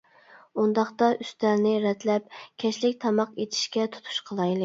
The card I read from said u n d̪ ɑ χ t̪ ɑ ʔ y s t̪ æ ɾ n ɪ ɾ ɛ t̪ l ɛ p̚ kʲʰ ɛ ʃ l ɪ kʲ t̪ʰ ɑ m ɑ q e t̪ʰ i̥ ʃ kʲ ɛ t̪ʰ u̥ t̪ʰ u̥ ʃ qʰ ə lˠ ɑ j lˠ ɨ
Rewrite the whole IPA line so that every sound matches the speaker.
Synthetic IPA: u n d̪ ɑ χ t̪ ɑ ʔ y s t̪ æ ɾ n ɪ ɾ ɛ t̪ l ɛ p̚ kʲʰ ɛ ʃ l ɪ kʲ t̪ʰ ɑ m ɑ q e t̪ʰ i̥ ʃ kʲ ɛ t̪ʰ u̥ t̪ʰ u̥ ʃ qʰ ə lˠ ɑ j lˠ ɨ